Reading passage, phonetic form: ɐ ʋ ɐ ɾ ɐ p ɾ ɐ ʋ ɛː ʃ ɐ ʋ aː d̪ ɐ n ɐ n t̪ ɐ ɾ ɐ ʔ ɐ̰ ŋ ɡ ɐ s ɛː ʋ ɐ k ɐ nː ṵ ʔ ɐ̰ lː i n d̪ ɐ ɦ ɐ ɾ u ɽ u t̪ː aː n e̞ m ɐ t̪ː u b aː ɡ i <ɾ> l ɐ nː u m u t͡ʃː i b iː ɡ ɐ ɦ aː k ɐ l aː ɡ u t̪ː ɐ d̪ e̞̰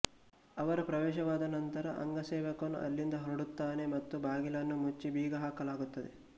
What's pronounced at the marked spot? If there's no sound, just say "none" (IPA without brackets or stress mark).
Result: none